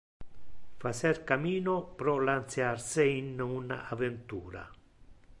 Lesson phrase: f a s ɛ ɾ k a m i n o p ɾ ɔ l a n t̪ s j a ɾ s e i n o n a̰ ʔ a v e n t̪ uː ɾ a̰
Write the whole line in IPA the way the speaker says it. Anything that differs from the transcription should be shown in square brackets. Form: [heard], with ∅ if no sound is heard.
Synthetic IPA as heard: f a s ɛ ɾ k a m [iː] n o p ɾ ɔ l a n t̪ s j a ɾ s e i n [u] n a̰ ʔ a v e n t̪ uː ɾ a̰